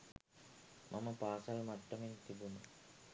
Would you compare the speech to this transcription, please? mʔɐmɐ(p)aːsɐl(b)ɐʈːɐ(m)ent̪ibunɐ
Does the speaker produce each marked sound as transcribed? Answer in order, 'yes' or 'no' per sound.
yes, no, yes

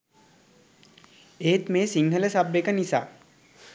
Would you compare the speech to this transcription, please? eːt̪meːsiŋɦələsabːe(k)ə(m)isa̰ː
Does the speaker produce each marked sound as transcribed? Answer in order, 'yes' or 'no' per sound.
yes, no

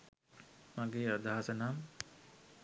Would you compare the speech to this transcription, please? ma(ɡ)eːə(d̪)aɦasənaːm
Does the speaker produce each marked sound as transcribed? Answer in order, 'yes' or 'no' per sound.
yes, yes

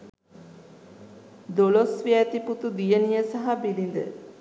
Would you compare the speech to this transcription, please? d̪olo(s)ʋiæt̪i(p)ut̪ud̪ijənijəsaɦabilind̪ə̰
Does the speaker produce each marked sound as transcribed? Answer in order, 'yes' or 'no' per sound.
yes, yes

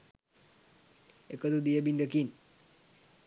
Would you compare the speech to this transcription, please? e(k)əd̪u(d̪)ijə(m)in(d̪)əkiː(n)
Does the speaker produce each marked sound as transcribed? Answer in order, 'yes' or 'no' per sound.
yes, yes, no, yes, yes

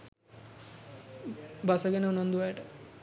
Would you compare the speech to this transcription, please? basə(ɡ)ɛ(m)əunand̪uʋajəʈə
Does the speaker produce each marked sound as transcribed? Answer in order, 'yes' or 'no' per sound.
yes, no

